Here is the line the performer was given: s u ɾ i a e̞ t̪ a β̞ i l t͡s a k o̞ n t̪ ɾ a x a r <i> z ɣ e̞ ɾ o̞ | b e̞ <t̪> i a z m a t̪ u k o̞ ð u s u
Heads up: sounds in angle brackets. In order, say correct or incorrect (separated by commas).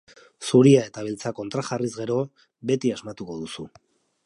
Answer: correct, correct